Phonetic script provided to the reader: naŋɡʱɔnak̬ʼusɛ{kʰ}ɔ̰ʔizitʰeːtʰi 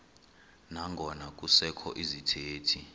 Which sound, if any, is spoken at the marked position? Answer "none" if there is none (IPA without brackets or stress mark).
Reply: kʰ